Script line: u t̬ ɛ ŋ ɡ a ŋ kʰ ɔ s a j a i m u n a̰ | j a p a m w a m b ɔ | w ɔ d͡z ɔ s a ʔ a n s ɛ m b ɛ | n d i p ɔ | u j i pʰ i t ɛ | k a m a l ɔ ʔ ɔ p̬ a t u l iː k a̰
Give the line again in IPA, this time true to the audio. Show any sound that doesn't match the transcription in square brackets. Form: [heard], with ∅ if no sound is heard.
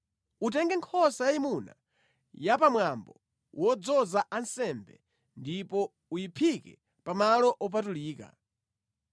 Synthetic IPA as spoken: u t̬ ɛ ŋ ɡ [ɛ] ŋ kʰ ɔ s a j a i m u n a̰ | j a p a m w a m b ɔ | w ɔ d͡z ɔ [z] a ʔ a n s ɛ m b ɛ | n d i p ɔ | u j i pʰ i [k] ɛ | [p] a m a l ɔ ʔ ɔ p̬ a t u l iː k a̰